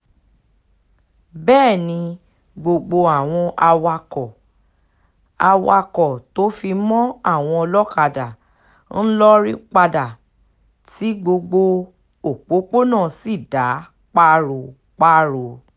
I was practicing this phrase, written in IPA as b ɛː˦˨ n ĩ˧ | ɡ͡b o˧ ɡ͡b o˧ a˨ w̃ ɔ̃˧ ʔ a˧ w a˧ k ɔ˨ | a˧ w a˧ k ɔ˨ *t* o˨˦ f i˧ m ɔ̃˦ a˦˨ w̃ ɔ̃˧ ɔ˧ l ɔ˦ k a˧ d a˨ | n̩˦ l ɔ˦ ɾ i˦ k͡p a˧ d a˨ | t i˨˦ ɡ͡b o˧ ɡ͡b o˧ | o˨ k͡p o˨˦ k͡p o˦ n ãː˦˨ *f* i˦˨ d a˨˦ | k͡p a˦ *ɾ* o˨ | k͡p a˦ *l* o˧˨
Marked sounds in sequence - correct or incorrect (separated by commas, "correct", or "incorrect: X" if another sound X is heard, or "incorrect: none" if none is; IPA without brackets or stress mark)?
correct, incorrect: s, correct, incorrect: ɾ